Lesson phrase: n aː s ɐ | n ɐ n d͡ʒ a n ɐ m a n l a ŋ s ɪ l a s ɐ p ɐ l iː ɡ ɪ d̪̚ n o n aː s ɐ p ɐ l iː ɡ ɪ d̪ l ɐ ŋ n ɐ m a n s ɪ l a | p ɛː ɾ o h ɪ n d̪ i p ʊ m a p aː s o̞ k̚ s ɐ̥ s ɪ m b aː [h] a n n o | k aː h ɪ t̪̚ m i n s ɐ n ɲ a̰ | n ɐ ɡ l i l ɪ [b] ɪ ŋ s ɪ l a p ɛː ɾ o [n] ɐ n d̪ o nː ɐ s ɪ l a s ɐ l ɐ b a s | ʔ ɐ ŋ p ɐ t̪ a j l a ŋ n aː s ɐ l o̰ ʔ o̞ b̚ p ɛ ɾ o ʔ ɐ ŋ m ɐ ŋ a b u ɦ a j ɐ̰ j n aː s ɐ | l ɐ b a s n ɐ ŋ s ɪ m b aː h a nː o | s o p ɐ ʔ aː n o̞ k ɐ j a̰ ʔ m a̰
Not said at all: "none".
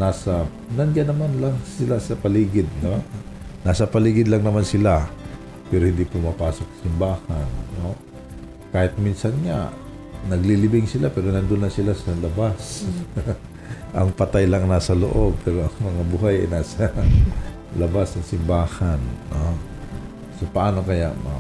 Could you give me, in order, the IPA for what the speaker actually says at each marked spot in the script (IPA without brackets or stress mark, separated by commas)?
h, b, n